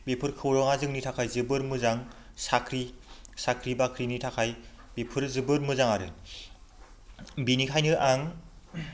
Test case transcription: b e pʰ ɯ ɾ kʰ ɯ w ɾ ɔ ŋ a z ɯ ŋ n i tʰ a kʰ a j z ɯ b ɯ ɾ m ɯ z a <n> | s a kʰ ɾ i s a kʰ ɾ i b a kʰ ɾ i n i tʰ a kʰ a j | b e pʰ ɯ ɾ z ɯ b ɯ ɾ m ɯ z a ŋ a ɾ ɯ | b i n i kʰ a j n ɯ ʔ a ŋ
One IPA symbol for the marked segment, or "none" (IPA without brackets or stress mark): ŋ